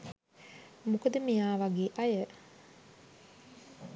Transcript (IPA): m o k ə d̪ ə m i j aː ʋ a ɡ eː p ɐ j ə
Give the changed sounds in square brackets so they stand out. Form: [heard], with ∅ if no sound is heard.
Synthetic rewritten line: m [u] k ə d̪ ə m i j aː ʋ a ɡ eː [ʔ] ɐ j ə

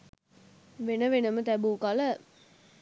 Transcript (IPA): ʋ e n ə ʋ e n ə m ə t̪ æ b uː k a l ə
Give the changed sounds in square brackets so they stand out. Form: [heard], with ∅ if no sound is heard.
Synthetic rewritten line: ʋ e n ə ʋ e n ə m ə t̪ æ b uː k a l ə

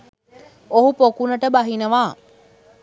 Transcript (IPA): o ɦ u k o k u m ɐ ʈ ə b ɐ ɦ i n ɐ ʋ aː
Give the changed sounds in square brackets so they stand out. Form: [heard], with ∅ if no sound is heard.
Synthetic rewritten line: o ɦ u [p] o k u [n] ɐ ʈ ə b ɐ ɦ i n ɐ ʋ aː

